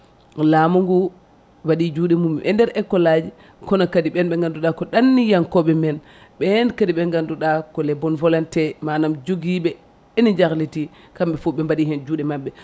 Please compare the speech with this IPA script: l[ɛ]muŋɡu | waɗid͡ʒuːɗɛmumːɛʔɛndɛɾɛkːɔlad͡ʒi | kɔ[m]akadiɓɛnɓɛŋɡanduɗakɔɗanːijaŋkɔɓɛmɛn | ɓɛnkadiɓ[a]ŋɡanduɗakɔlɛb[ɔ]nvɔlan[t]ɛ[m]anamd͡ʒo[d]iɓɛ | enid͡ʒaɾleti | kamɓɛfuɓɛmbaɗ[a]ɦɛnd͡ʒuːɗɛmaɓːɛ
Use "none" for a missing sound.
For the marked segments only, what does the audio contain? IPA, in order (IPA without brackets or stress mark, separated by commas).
a, n, ɛ, ɔ, t, m, ɡ, i